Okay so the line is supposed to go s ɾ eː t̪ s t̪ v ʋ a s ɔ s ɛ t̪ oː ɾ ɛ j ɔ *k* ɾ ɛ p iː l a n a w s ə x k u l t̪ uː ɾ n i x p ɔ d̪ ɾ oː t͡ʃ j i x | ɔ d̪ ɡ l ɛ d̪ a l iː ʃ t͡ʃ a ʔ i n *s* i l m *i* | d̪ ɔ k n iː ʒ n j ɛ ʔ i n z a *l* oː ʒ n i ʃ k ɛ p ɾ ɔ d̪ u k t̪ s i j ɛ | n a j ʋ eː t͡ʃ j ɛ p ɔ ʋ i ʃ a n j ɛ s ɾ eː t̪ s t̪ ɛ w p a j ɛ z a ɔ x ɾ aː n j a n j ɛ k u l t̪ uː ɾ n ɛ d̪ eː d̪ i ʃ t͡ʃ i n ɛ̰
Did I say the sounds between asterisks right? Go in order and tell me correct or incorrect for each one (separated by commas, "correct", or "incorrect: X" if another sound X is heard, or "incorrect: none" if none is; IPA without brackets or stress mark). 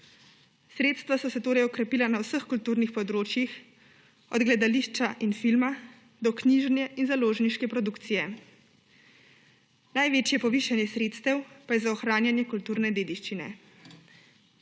correct, incorrect: f, incorrect: a, correct